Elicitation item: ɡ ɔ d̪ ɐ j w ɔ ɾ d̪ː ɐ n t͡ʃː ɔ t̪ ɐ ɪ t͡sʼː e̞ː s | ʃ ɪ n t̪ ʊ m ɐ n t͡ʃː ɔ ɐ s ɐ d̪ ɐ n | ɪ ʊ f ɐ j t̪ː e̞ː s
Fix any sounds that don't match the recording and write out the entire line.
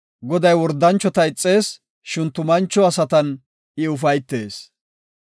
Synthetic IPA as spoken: ɡ ɔ d̪ ɐ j w ɔ ɾ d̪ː ɐ n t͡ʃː ɔ t̪ ɐ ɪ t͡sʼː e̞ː s | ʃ ɪ n t̪ ʊ m ɐ n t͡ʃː ɔ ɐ s ɐ t̪ ɐ n | ɪ ʊ f ɐ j t̪ː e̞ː s